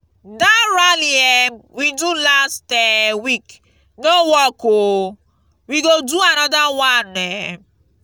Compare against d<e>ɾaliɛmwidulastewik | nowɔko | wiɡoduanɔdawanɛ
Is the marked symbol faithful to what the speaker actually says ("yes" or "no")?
no